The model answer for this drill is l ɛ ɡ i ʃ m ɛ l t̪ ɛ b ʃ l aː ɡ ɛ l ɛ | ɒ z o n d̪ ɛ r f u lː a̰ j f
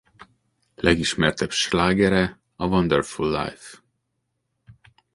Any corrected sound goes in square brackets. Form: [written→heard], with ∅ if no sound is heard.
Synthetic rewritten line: l ɛ ɡ i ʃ m ɛ [l→r] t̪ ɛ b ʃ l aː ɡ ɛ [l→ɾ] ɛ | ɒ [z→v] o n d̪ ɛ r f u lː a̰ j f